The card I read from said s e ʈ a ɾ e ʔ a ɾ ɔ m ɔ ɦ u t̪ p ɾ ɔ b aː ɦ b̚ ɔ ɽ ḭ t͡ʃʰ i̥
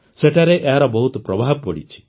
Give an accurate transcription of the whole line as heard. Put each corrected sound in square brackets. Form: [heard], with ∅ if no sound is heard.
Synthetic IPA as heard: s e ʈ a ɾ e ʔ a ɾ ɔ [b] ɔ ɦ u t̪ p ɾ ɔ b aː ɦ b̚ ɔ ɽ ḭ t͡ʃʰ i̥